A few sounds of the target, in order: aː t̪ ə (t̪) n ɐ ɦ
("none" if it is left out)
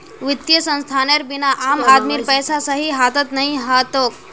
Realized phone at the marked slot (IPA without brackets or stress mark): t̪